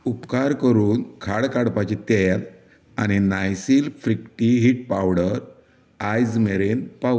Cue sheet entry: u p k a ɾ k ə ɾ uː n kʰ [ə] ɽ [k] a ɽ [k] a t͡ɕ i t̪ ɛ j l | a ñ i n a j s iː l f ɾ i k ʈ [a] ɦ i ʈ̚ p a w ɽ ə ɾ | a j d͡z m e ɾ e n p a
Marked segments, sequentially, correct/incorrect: incorrect: a, correct, incorrect: p, incorrect: i

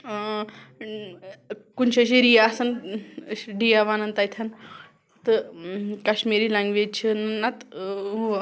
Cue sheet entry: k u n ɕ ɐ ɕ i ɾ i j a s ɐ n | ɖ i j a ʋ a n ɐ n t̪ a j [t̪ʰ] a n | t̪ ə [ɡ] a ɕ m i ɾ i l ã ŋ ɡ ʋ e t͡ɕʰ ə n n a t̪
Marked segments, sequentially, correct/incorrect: correct, incorrect: k

